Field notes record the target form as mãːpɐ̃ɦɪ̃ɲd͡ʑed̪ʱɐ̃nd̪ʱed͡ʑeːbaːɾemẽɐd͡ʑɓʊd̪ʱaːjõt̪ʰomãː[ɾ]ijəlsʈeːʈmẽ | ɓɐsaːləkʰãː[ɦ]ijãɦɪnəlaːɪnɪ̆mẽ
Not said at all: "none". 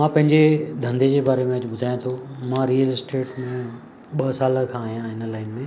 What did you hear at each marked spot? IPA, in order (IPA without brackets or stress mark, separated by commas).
ɾ, ɦ